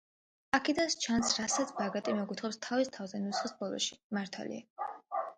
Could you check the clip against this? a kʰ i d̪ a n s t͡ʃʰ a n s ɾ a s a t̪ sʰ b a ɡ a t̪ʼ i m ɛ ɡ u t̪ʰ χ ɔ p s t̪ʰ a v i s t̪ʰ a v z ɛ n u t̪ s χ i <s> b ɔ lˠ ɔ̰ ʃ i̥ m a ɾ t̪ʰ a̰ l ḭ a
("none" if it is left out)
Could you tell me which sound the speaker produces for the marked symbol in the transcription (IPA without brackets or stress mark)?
s